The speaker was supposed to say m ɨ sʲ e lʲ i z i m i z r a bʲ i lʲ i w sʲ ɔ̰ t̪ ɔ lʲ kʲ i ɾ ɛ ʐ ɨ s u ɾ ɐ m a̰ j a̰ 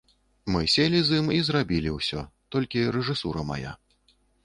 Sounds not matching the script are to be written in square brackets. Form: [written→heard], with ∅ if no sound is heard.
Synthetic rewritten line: m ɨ sʲ e lʲ i z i m i z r a bʲ i lʲ i w sʲ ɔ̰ t̪ ɔ lʲ kʲ i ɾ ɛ ʐ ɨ s u ɾ ɐ m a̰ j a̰

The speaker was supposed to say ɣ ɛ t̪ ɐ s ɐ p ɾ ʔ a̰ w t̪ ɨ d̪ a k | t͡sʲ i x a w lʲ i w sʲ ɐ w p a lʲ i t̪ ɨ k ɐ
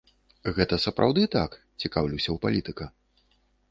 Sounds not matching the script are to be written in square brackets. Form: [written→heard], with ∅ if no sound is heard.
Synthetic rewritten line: ɣ ɛ t̪ ɐ s ɐ p ɾ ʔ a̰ w [t̪→d̪] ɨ [d̪→t̪] a k | t͡sʲ i [x→k] a w lʲ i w sʲ ɐ w p a lʲ i t̪ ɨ k ɐ

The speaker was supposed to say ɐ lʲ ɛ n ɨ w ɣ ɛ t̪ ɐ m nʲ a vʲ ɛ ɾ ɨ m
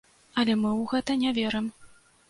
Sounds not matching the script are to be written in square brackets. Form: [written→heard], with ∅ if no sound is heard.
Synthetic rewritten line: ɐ lʲ ɛ [n→m] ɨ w ɣ ɛ t̪ ɐ [m→∅] nʲ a vʲ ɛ ɾ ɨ m

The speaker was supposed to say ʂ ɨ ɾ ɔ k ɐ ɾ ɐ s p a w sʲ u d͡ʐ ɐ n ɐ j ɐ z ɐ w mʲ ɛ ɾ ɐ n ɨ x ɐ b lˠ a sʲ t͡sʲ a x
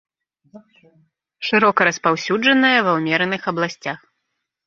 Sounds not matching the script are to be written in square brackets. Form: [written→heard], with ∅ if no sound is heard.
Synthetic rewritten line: ʂ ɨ ɾ ɔ k ɐ ɾ ɐ s p a w sʲ u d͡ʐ ɐ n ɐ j ɐ [z→v] ɐ w mʲ ɛ ɾ ɐ n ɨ x ɐ b lˠ a sʲ t͡sʲ a x

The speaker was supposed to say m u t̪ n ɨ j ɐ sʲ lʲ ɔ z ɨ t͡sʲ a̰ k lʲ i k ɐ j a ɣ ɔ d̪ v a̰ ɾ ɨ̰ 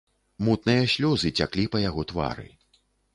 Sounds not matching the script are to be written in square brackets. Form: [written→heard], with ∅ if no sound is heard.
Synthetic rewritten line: m u t̪ n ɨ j ɐ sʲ lʲ ɔ z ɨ t͡sʲ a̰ k lʲ i [k→p] ɐ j a ɣ ɔ [d̪→t̪] v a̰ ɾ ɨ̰

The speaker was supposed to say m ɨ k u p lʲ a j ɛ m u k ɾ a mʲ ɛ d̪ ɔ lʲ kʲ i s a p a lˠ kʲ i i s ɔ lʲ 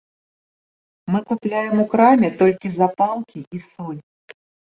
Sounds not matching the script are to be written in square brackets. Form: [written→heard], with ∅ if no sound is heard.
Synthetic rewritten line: m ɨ k u p lʲ a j ɛ m u k ɾ a mʲ ɛ [d̪→t̪] ɔ lʲ kʲ i [s→z] a p a lˠ kʲ i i s ɔ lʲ

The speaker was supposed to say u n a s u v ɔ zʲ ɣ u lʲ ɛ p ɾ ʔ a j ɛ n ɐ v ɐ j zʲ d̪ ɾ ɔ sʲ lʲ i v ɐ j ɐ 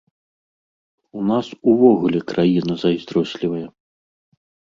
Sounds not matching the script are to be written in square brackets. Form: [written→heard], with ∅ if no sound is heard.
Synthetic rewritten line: u n a s u v ɔ [zʲ→∅] ɣ u lʲ ɛ [p→k] ɾ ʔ a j [ɛ→i] n ɐ [v→z] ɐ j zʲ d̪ ɾ ɔ sʲ lʲ i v ɐ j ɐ

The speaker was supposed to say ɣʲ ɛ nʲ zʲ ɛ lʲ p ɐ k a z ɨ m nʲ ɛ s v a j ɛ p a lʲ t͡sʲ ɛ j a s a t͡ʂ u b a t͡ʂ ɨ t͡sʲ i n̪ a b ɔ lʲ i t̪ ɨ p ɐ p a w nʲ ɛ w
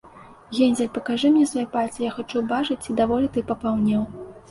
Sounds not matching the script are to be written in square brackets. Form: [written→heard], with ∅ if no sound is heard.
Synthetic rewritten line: ɣʲ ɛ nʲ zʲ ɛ lʲ p ɐ k a [z→ʐ] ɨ m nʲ ɛ s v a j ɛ p a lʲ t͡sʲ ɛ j a [s→x] a t͡ʂ u b a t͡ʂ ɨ t͡sʲ i [n̪→d̪] a [b→v] ɔ lʲ i t̪ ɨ p ɐ p a w nʲ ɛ w

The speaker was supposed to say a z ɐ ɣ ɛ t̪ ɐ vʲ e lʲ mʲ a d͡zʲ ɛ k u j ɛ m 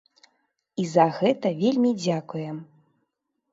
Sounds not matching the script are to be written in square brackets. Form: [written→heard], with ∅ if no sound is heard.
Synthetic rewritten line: [a→i] z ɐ ɣ ɛ t̪ ɐ vʲ e lʲ mʲ [a→i] d͡zʲ [ɛ→a] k u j ɛ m

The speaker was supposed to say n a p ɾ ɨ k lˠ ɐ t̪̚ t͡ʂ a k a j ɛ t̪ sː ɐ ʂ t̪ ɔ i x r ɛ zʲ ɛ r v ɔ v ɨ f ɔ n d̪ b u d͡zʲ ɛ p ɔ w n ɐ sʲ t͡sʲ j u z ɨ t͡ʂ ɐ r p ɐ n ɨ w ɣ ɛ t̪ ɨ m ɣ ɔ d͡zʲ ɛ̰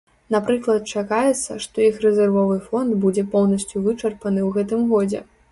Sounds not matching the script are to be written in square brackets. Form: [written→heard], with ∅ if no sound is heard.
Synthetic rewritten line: n a p ɾ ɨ k lˠ ɐ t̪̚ t͡ʂ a k a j ɛ t̪ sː ɐ ʂ t̪ ɔ i x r ɛ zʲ ɛ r v ɔ v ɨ f ɔ n d̪ b u d͡zʲ ɛ p ɔ w n ɐ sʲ t͡sʲ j u [z→v] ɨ t͡ʂ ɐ r p ɐ n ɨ w ɣ ɛ t̪ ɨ m ɣ ɔ d͡zʲ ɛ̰

